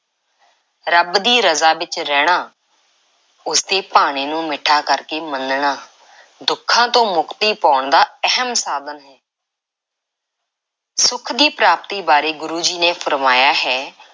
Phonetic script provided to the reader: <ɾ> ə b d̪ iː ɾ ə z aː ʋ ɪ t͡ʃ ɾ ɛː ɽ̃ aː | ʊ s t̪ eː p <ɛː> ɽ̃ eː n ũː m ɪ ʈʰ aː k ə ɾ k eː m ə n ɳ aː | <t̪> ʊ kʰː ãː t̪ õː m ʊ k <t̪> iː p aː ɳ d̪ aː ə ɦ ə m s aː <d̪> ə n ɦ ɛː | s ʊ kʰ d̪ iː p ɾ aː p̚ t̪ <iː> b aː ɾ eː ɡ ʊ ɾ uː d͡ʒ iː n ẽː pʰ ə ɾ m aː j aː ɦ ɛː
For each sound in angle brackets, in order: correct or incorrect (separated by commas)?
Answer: correct, incorrect, incorrect, correct, correct, correct